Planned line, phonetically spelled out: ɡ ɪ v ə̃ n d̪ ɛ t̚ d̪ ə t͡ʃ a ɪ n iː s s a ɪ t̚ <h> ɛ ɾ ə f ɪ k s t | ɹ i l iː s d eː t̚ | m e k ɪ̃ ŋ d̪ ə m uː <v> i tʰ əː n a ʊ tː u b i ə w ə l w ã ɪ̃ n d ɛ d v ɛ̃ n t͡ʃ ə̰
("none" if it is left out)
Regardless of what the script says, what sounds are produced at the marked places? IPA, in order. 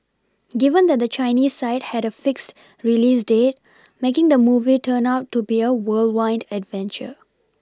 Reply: h, v

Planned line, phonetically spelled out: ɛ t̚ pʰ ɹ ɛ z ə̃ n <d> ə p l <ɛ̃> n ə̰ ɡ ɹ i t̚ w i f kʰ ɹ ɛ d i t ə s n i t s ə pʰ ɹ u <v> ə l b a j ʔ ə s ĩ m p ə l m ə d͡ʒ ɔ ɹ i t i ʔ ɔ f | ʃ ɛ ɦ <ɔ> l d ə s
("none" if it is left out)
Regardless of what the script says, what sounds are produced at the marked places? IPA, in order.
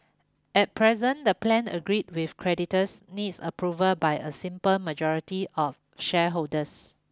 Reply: d, ɛ̃, v, o

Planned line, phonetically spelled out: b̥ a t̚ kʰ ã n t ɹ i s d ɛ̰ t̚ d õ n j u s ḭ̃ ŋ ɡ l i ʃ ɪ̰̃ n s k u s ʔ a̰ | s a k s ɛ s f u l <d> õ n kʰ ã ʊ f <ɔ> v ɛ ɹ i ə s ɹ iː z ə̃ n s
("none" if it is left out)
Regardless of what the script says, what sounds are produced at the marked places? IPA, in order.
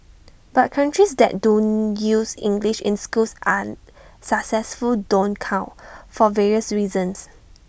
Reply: d, ɔ

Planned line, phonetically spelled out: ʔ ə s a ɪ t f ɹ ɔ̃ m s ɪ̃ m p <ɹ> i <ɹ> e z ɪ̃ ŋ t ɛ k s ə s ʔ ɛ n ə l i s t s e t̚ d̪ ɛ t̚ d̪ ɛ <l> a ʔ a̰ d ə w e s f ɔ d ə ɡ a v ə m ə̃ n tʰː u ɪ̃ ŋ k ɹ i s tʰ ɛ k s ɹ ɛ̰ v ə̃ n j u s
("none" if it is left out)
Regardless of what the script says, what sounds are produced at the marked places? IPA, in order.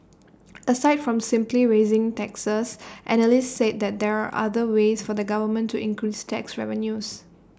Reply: l, ɹ, ɹ

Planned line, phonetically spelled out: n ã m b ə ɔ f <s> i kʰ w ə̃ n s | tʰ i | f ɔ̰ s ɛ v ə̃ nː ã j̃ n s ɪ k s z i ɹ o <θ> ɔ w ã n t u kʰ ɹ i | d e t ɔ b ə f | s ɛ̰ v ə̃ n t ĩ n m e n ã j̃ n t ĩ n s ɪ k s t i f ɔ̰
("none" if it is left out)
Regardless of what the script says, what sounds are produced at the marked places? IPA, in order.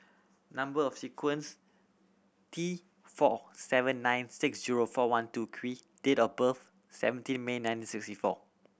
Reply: s, f

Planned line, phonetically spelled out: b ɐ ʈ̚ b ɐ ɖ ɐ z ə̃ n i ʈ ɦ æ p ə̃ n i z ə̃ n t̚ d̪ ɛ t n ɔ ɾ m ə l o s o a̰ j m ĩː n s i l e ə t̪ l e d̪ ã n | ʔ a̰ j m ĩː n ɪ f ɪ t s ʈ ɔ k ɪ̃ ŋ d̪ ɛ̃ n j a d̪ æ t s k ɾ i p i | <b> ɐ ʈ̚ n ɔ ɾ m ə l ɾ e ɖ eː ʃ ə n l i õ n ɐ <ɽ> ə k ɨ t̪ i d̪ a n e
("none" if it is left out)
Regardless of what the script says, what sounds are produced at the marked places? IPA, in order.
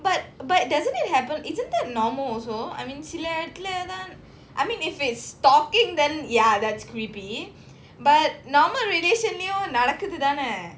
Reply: b, ɽ

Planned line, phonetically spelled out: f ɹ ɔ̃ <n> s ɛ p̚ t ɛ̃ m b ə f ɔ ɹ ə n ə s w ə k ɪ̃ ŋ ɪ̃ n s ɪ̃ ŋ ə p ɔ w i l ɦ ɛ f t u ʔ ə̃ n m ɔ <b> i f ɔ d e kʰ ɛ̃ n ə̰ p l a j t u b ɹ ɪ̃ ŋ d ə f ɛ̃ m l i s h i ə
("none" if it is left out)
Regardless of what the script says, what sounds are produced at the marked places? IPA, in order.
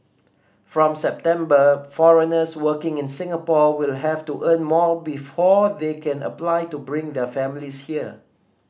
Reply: m, b

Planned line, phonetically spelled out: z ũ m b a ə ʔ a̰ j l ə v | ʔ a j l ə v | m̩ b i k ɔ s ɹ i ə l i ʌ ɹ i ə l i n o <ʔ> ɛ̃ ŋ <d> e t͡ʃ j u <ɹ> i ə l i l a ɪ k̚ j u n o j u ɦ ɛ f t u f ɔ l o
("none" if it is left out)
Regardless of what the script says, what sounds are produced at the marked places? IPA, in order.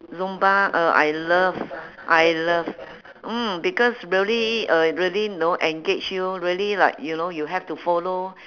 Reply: ʔ, ɡ, ɹ

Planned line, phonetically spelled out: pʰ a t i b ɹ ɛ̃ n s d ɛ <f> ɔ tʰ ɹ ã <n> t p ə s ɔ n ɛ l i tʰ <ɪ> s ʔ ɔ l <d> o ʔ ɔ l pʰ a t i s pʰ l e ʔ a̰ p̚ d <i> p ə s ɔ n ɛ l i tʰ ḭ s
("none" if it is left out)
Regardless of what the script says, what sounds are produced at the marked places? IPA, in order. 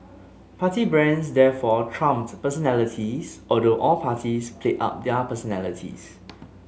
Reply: f, m, i, d, ɛ

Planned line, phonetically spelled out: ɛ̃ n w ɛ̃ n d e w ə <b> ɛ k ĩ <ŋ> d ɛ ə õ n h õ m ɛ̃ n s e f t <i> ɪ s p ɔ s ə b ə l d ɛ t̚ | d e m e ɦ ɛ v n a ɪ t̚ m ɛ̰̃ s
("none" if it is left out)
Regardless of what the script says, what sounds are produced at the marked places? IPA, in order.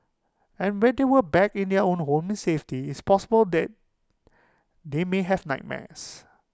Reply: b, n, i

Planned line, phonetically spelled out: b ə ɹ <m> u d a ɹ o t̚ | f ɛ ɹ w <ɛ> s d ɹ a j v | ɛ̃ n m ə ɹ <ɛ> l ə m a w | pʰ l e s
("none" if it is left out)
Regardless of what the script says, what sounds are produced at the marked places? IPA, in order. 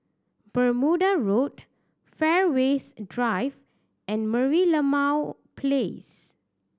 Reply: m, e, i

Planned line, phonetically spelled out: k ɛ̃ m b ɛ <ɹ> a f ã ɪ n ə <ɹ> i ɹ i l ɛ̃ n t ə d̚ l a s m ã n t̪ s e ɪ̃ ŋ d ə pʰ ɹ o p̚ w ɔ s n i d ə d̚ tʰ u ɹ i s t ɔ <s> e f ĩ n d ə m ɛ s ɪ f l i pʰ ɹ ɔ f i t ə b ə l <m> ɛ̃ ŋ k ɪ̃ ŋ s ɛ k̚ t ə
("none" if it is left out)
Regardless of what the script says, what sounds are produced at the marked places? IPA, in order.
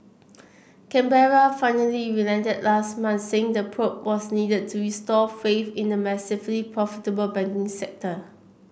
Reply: ɹ, l, f, b

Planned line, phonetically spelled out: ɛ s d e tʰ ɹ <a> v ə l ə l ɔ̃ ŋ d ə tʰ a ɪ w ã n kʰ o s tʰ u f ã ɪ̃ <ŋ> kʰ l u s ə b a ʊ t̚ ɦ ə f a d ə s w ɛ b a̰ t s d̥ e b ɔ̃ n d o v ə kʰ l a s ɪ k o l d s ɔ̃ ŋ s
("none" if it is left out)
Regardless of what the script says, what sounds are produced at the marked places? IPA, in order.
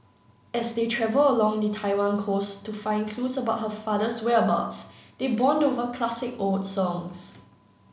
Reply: ɛ, n

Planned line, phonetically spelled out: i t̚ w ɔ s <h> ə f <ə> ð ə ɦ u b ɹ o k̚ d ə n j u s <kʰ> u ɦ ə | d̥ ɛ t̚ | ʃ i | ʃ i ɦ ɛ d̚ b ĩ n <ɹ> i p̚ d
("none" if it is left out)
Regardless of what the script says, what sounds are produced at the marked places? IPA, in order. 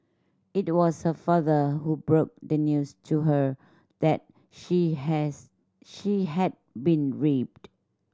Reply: h, a, tʰ, ɹ

